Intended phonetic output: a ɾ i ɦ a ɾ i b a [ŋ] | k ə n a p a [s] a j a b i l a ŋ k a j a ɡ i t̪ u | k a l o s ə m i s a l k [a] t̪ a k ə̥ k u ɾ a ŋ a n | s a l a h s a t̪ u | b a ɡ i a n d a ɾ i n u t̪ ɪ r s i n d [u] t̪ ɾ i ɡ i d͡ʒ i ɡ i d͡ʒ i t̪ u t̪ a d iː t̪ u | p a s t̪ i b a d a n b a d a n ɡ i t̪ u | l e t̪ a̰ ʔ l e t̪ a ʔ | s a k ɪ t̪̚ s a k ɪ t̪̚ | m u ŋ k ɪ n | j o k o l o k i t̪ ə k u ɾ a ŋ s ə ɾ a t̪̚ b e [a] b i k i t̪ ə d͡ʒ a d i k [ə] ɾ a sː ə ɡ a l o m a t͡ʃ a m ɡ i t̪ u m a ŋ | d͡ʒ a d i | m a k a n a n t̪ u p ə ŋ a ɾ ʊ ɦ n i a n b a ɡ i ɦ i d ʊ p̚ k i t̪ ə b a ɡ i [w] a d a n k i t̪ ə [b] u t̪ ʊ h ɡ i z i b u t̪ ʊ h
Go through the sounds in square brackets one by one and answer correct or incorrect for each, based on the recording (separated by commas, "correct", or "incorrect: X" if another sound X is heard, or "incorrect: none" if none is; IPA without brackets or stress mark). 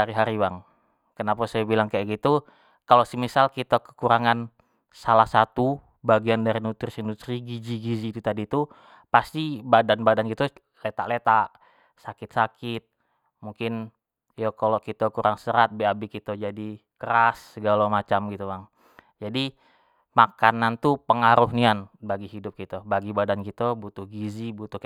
correct, correct, incorrect: i, correct, correct, correct, incorrect: b, correct